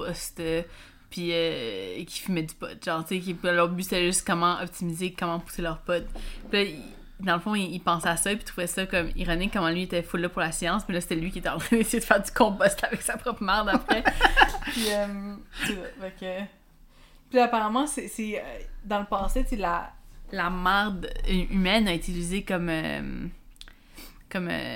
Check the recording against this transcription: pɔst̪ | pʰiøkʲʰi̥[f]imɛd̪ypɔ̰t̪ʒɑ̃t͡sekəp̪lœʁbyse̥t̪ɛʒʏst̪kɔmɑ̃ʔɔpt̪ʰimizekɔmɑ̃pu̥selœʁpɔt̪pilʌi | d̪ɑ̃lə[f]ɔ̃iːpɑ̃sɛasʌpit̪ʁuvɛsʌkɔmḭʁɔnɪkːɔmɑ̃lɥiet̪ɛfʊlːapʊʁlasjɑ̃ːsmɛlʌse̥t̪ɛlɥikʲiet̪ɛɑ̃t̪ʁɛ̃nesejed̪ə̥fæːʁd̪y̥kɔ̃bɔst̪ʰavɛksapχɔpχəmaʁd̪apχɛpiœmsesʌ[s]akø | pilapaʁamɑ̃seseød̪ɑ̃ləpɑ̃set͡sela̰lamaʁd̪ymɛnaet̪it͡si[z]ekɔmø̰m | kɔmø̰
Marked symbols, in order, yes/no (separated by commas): yes, yes, no, yes